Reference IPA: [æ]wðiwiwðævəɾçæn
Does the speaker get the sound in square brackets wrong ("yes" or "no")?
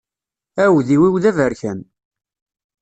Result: no